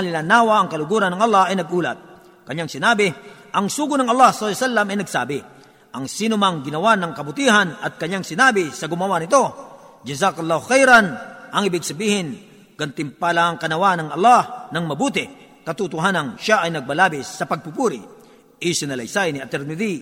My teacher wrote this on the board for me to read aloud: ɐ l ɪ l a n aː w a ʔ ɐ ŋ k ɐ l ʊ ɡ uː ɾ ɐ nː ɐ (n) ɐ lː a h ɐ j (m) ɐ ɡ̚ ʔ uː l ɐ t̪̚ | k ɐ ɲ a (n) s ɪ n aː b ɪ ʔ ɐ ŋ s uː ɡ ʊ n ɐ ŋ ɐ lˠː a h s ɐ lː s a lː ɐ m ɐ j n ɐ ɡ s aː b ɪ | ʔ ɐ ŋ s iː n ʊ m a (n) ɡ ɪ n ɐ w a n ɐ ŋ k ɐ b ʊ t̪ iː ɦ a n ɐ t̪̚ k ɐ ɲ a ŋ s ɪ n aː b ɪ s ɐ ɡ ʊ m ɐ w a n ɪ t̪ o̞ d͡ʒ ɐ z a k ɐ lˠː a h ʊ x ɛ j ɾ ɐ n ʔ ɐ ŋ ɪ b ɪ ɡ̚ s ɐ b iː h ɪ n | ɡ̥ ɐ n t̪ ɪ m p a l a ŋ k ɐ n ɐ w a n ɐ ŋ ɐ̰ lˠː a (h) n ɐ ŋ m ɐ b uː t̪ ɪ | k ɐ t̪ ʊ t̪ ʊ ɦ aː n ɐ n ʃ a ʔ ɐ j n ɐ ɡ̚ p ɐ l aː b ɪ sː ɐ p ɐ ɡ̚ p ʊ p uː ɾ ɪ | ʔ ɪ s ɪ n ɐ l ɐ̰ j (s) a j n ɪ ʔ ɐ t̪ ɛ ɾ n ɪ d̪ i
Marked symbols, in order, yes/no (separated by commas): no, no, no, no, yes, yes